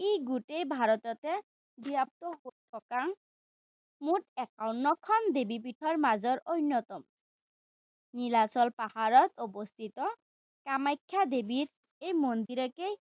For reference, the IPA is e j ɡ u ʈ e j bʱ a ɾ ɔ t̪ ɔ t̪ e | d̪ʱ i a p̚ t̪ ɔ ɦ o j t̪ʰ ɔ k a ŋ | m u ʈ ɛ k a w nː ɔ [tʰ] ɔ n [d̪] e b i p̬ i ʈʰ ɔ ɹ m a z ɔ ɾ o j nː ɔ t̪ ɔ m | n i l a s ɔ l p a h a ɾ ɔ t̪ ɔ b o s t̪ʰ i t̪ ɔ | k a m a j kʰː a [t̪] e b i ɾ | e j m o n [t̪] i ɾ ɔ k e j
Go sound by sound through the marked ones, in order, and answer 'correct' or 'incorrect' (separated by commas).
incorrect, correct, incorrect, incorrect